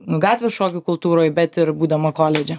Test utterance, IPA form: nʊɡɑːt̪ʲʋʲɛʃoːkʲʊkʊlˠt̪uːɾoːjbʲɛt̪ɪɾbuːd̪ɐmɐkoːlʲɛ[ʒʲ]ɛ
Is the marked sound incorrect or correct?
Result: incorrect